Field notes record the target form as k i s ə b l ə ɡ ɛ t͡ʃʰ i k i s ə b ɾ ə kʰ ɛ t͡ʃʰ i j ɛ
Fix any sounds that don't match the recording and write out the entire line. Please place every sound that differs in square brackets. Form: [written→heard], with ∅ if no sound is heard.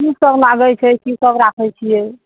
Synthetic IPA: k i s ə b l [ə→a] ɡ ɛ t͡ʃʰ [i→ɛ] k i s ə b ɾ [ə→a] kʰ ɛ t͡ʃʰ i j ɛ